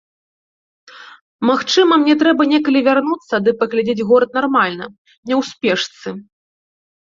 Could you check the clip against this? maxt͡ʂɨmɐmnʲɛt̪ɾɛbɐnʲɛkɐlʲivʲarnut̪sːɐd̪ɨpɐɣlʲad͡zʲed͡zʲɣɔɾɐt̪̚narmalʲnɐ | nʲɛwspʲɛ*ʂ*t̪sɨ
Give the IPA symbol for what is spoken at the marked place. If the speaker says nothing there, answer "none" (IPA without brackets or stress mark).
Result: ʂ